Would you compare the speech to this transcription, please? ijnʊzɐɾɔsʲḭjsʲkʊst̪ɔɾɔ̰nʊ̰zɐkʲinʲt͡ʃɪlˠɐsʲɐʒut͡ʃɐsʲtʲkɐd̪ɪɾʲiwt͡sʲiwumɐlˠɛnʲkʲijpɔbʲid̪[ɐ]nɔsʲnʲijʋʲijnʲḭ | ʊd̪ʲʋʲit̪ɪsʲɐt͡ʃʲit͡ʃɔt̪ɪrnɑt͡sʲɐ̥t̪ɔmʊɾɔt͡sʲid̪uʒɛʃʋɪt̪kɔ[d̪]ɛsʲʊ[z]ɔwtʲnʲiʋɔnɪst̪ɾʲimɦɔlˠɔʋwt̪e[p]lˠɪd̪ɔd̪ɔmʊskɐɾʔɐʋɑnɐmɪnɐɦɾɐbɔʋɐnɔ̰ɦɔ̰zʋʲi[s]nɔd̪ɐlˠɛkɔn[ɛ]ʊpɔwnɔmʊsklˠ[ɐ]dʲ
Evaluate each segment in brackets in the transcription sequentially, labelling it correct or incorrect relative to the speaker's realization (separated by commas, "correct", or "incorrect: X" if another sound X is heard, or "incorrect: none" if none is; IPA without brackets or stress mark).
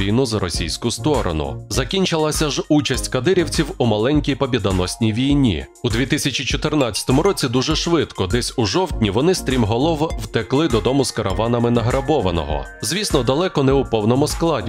correct, correct, incorrect: ʒ, incorrect: k, correct, correct, incorrect: ɑ